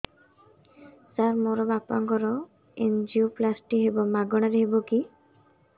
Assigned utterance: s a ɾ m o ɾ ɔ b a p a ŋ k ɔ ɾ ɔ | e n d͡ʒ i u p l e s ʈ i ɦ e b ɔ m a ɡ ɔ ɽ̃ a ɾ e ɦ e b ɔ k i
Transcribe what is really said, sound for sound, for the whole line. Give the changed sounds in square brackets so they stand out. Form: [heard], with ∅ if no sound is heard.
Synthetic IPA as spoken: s a ɾ m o ɾ ɔ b a p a ŋ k ɔ ɾ ɔ | e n d͡ʒ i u p l [a] s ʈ i ɦ e b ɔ m a ɡ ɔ ɽ̃ a ɾ e ɦ e b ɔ k i

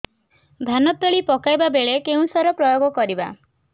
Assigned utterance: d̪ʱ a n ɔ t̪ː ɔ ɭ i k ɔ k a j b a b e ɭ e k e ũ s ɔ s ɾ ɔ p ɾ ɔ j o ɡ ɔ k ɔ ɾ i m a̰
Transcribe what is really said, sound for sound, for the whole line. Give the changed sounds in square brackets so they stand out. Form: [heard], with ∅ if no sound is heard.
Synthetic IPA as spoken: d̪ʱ a n ɔ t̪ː ɔ ɭ i [p] ɔ k a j b a b e ɭ e k e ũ s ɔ [∅] ɾ ɔ p ɾ ɔ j o ɡ ɔ k ɔ ɾ i [b] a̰

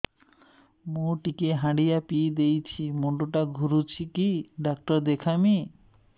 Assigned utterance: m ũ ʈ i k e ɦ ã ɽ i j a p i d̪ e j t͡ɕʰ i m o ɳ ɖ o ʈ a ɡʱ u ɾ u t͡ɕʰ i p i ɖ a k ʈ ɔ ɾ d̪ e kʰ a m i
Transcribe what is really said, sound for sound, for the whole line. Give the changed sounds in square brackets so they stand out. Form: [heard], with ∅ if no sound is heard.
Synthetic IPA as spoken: m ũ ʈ i k e ɦ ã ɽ i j a p i d̪ e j t͡ɕʰ i m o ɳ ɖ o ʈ a ɡʱ u ɾ u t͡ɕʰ i [k] i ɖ a k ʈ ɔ ɾ d̪ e kʰ a m i

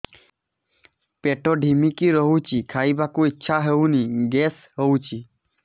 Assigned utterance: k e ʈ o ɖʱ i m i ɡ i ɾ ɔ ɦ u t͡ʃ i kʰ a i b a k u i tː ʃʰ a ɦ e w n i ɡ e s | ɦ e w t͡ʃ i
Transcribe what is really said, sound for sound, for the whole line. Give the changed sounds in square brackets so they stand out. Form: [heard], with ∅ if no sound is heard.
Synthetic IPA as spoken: [p] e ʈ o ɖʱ i m i [k] i ɾ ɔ ɦ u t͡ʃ i kʰ a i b a k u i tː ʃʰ a ɦ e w n i ɡ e s | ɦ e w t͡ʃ i

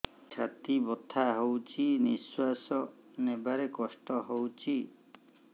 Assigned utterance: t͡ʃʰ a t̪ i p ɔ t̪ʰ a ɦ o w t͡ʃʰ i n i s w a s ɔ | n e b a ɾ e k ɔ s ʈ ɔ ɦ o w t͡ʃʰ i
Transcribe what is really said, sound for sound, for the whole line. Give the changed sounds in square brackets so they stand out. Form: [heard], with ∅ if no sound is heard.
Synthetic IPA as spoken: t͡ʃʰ a t̪ i [b] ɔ t̪ʰ a ɦ o w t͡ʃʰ i n i s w a s ɔ | n e b a ɾ e k ɔ s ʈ ɔ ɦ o w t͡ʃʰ i

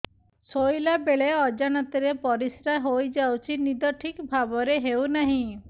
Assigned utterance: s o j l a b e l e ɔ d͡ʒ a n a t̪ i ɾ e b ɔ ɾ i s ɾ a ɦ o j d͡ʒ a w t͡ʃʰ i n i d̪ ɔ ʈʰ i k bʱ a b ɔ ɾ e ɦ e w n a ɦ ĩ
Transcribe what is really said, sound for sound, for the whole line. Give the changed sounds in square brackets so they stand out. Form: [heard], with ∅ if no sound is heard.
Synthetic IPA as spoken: s o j l a b e [ɭ] e ɔ d͡ʒ a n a t̪ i ɾ e [p] ɔ ɾ i s ɾ a ɦ o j d͡ʒ a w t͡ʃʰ i n i d̪ ɔ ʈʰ i k bʱ a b ɔ ɾ e ɦ e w n a ɦ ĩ

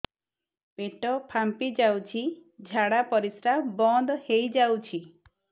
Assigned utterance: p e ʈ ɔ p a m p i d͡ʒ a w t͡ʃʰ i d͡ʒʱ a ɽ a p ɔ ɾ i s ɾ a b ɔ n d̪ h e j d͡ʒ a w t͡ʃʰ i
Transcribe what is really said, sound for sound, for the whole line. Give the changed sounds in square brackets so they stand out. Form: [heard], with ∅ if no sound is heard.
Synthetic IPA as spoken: p e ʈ ɔ [pʰ] a m p i d͡ʒ a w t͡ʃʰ i d͡ʒʱ a ɽ a p ɔ ɾ i s ɾ a b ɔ n d̪ h e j d͡ʒ a w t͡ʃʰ i

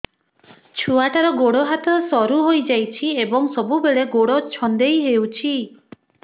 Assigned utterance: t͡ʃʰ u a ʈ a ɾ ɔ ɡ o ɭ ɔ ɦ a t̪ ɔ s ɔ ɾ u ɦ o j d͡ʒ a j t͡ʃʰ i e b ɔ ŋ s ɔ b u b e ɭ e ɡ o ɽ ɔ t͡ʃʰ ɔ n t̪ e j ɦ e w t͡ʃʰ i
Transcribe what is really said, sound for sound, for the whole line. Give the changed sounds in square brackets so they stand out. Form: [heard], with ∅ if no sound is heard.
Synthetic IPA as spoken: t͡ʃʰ u a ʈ a ɾ ɔ ɡ o [ɽ] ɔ ɦ a t̪ ɔ s ɔ ɾ u ɦ o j d͡ʒ a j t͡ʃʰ i e b ɔ ŋ s ɔ b u b e ɭ e ɡ o ɽ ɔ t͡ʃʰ ɔ n [d̪] e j ɦ e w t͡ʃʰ i

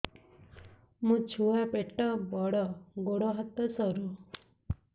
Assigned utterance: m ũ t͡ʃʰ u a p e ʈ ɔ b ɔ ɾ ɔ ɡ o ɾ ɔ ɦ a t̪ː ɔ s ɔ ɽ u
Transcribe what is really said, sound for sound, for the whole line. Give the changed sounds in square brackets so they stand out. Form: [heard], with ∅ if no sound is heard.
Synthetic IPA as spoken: m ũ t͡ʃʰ u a p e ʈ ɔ b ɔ [ɽ] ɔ ɡ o [ɽ] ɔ ɦ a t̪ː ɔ s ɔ [ɾ] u

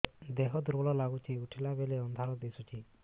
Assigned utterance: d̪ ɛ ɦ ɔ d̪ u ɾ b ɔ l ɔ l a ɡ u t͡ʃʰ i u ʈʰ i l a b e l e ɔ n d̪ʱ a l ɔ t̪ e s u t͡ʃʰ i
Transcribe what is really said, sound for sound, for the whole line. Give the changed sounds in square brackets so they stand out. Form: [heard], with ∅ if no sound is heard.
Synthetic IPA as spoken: d̪ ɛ ɦ ɔ d̪ u ɾ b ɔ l ɔ l a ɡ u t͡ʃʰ i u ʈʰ i l a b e l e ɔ n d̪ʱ a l ɔ [d̪] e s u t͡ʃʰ i

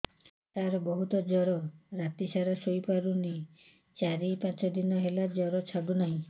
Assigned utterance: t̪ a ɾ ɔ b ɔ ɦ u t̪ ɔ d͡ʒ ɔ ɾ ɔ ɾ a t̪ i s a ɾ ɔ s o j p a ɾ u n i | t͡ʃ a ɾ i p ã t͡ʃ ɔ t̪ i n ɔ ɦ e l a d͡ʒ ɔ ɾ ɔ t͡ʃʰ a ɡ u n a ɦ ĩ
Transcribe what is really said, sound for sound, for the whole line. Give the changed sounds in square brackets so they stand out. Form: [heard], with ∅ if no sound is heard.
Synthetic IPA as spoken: t̪ a ɾ ɔ b ɔ ɦ u t̪ ɔ d͡ʒ ɔ ɾ ɔ ɾ a t̪ i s a ɾ ɔ s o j p a ɾ u n i | t͡ʃ a ɾ i p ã t͡ʃ ɔ [d̪] i n ɔ ɦ e l a d͡ʒ ɔ ɾ ɔ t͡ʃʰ a ɡ u n a ɦ ĩ

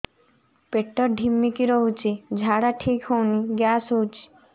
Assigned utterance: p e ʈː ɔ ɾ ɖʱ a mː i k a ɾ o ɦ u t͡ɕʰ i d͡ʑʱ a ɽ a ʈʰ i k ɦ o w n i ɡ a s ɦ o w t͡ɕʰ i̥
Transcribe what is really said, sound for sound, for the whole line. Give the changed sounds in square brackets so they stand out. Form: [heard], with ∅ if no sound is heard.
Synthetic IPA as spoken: p e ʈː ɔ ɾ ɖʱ [i] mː i k [i] ɾ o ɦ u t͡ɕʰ i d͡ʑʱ a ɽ a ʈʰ i k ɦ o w n i ɡ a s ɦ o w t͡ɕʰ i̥

